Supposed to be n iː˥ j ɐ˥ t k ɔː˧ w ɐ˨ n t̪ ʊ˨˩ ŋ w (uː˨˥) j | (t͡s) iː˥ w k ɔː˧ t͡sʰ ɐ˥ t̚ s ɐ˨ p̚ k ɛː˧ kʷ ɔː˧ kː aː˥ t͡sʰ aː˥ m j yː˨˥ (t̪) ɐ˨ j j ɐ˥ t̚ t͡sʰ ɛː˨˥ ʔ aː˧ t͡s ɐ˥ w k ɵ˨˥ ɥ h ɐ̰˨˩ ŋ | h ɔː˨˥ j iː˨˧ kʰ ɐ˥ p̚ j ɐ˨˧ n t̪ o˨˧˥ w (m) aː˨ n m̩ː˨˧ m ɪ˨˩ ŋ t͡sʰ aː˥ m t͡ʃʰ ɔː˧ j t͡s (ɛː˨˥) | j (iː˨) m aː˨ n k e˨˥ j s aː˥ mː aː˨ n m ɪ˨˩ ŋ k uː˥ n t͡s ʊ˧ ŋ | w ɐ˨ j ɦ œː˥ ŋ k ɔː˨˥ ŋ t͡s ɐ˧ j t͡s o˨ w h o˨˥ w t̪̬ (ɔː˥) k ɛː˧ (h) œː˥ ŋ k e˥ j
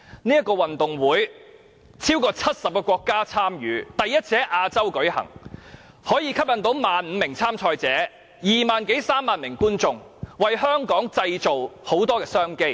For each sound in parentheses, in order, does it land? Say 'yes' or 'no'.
yes, no, yes, yes, yes, yes, yes, no

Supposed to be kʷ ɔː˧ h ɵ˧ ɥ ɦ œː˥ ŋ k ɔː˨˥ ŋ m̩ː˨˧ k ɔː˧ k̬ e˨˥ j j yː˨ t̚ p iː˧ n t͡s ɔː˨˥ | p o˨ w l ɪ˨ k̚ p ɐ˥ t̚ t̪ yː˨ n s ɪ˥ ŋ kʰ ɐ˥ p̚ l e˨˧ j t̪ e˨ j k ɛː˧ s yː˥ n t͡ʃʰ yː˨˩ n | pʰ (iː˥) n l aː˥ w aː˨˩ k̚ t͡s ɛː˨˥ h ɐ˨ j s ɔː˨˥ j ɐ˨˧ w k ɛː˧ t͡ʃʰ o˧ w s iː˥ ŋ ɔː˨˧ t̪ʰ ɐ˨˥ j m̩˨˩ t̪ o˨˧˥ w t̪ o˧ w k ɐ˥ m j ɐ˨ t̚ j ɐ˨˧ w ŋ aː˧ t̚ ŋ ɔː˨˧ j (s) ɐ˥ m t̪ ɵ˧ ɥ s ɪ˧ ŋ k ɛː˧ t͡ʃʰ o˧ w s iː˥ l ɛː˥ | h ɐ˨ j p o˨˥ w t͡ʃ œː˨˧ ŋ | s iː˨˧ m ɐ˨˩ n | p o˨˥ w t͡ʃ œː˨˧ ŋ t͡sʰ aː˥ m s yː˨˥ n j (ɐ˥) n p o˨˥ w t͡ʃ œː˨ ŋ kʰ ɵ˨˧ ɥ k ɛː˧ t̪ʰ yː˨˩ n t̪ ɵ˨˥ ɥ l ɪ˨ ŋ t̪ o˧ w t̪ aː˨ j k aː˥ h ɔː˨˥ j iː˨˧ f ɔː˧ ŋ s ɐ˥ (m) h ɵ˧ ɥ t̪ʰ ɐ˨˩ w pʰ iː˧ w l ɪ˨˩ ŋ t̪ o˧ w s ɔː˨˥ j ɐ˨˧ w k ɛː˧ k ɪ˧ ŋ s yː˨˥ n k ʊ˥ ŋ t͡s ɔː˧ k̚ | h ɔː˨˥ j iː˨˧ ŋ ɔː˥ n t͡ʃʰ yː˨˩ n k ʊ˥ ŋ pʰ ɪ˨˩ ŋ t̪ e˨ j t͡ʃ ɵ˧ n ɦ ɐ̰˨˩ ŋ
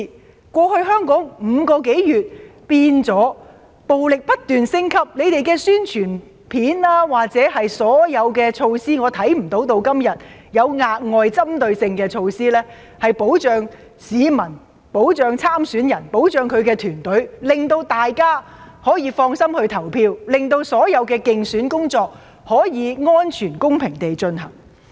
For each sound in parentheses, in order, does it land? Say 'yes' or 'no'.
no, no, no, yes

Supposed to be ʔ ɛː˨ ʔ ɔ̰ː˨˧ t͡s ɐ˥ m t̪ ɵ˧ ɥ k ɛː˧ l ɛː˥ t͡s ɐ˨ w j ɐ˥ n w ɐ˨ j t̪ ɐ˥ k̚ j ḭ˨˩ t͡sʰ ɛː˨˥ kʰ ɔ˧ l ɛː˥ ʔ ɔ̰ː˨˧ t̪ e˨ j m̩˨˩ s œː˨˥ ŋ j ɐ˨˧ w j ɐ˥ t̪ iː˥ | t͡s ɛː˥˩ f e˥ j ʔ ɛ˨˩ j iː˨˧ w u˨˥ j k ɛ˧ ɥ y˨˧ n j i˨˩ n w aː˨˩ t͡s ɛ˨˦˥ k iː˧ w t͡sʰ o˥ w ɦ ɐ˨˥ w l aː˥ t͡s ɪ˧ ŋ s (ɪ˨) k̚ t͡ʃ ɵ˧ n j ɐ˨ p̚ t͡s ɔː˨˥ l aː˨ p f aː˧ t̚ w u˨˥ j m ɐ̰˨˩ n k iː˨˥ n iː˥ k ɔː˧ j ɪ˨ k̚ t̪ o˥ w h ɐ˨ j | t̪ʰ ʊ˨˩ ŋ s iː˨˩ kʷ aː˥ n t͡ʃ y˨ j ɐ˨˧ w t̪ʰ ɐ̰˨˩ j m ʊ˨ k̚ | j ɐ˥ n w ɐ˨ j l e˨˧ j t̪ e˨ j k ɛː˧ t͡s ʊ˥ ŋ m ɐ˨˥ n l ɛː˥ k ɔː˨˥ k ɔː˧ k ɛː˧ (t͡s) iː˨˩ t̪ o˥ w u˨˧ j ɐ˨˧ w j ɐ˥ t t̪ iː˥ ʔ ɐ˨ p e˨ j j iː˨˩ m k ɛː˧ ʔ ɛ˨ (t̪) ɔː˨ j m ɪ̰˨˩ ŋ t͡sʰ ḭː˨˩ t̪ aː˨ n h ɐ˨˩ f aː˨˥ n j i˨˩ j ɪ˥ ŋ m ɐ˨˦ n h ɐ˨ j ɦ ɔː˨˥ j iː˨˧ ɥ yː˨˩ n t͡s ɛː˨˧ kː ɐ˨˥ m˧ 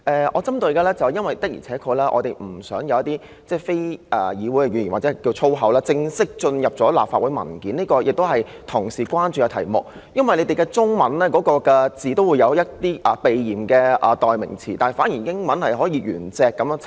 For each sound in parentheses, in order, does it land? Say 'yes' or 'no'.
no, yes, yes

